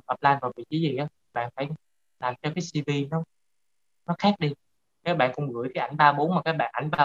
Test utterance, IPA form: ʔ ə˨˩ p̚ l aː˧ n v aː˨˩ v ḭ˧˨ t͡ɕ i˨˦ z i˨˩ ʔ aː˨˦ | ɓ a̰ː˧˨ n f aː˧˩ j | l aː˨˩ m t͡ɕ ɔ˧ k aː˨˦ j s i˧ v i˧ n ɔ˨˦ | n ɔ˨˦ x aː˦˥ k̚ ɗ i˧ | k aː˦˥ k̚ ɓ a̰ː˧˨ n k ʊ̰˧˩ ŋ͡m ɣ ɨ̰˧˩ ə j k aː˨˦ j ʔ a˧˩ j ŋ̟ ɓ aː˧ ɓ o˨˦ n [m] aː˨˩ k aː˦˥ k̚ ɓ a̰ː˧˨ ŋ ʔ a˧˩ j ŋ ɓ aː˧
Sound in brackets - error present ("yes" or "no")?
no